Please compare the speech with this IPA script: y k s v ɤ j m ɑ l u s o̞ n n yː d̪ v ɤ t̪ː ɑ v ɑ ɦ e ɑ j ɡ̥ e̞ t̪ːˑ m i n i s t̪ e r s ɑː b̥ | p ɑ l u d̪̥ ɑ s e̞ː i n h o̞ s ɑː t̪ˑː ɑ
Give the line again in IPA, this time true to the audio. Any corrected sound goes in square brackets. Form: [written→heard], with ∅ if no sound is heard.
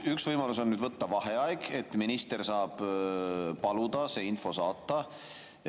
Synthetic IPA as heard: y k s v ɤ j m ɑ l u s o̞ n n yː d̪ v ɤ t̪ː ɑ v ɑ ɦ e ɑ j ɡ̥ e̞ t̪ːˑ m i n i s t̪ e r s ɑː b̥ | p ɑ l u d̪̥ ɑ s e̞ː i n [h→f] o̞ s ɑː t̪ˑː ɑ